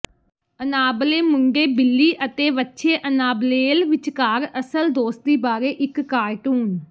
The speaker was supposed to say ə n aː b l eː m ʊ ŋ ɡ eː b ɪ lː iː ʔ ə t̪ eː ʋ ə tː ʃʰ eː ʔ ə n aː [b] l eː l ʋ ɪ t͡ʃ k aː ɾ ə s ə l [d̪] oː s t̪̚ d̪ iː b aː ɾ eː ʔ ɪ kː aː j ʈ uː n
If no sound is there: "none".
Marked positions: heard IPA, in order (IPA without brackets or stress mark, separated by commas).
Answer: b, d̪